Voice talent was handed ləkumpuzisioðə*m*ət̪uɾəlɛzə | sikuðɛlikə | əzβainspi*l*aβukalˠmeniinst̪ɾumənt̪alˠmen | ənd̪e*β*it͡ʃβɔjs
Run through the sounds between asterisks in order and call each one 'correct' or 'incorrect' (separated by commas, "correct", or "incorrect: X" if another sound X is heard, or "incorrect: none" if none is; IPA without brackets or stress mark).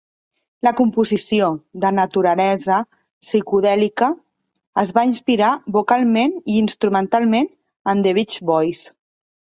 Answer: incorrect: n, incorrect: ɾ, correct